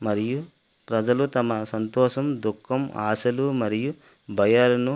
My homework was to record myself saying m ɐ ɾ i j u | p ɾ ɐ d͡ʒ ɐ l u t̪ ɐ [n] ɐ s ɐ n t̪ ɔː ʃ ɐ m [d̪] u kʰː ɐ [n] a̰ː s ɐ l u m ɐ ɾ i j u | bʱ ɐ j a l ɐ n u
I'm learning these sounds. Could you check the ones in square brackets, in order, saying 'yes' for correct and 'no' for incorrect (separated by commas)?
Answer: no, yes, no